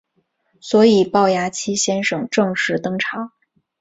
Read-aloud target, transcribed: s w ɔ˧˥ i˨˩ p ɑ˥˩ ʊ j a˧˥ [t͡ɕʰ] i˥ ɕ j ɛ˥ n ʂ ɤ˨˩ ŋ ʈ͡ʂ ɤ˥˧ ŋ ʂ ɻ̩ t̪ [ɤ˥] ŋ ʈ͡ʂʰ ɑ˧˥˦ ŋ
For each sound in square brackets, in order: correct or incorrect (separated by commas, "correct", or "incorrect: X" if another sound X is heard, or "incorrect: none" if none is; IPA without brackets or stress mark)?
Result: correct, correct